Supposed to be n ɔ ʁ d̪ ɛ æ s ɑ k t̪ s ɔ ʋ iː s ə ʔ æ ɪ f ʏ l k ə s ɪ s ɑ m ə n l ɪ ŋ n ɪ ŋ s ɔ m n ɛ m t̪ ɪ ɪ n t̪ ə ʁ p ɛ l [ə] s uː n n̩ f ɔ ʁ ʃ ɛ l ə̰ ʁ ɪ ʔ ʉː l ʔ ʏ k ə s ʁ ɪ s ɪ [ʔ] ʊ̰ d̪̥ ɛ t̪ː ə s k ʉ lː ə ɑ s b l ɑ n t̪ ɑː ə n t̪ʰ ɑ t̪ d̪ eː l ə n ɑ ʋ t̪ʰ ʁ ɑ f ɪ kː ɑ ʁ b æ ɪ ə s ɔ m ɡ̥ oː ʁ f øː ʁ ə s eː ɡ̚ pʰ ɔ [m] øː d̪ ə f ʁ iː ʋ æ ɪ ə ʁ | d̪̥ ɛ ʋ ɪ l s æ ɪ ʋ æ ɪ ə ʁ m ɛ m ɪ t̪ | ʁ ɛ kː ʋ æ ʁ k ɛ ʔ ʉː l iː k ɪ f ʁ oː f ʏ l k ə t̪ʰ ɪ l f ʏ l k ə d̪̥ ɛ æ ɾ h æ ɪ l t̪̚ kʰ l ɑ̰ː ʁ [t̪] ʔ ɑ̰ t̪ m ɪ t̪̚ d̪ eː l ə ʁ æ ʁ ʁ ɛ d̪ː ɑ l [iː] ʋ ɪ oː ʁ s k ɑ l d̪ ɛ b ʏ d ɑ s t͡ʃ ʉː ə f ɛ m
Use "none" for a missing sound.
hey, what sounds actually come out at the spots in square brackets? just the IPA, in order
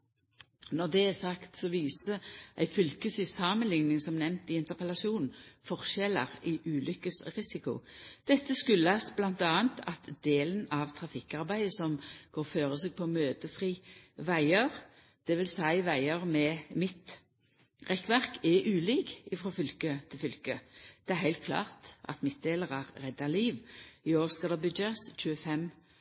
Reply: ɑ, k, m, t̪, iː

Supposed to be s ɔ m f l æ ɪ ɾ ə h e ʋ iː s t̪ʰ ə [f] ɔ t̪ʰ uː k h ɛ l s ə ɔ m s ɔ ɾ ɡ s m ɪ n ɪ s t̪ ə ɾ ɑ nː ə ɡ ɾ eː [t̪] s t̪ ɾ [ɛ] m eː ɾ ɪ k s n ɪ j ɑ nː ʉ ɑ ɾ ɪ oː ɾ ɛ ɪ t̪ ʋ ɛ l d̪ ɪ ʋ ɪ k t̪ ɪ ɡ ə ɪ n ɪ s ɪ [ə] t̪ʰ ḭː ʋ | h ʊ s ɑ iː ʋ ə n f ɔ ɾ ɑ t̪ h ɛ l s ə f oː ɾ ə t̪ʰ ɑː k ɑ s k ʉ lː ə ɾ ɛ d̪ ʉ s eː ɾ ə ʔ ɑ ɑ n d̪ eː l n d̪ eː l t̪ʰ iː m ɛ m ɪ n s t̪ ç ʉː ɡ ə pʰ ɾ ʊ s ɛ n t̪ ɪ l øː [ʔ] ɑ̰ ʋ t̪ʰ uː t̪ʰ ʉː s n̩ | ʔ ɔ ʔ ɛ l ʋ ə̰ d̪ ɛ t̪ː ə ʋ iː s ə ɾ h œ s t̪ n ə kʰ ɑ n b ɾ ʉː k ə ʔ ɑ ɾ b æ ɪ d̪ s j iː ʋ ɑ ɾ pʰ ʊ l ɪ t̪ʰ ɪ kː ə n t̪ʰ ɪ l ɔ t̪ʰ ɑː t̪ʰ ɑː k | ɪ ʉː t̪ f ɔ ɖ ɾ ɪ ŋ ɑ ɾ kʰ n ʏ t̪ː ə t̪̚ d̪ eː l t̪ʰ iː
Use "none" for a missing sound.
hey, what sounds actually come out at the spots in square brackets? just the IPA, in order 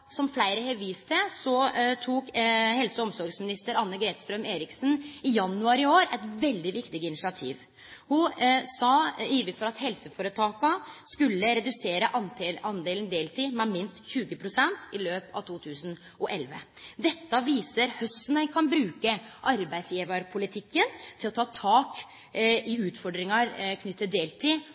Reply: s, t̪, œ, ɑ, p

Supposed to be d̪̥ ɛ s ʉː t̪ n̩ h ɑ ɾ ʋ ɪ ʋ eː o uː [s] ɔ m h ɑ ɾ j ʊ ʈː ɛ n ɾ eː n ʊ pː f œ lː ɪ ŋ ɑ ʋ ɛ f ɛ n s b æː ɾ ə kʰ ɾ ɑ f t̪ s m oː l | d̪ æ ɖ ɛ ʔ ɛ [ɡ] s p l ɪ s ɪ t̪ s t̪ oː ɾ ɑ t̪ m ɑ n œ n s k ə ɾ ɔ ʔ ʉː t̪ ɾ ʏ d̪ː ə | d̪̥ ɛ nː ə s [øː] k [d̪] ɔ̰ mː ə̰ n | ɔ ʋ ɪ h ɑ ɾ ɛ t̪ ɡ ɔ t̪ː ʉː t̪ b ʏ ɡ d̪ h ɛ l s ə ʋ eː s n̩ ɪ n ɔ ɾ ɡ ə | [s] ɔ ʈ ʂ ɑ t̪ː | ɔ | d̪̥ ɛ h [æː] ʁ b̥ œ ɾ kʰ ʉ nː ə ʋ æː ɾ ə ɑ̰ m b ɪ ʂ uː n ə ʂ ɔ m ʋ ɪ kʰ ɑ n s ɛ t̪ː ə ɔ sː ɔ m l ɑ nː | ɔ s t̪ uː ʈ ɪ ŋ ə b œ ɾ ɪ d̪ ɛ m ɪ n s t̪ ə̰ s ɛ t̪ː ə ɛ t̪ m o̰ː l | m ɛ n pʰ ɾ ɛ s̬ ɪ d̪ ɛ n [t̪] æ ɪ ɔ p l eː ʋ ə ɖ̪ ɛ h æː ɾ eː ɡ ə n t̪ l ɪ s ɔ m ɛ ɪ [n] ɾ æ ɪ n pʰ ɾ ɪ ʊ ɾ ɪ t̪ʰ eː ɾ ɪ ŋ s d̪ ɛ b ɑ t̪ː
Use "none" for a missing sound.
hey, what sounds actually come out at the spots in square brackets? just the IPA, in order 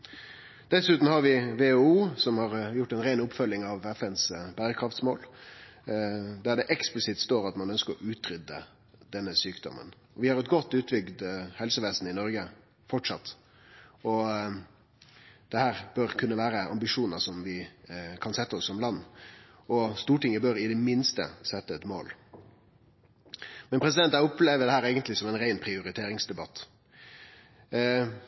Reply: s, k, yː, d̪, f, æː, t̪, n

